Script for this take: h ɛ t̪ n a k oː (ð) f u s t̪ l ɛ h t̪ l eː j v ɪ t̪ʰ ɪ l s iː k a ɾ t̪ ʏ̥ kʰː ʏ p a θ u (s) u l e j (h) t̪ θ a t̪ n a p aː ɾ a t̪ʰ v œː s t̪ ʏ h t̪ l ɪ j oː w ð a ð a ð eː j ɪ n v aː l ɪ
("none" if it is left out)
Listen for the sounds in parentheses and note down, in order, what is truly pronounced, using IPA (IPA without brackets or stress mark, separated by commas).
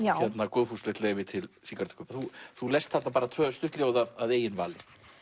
ð, θ, s